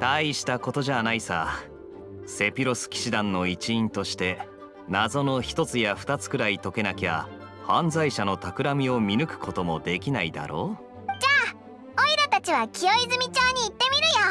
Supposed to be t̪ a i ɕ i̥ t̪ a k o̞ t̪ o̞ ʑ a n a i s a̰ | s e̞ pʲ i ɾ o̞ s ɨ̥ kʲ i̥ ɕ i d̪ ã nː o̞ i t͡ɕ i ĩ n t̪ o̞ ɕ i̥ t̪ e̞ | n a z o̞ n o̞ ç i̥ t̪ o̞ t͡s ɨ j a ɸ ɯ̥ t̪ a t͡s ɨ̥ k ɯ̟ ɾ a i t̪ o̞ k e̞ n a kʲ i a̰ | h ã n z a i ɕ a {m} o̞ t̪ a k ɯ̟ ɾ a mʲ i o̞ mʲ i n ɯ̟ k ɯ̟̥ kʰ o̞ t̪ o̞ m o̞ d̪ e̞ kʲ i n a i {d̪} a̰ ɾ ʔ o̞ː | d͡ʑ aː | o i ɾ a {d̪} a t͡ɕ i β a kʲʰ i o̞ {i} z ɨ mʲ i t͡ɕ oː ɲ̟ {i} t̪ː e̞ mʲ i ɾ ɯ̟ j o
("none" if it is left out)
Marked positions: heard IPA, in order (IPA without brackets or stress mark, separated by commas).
n, d̪, t̪, i, iː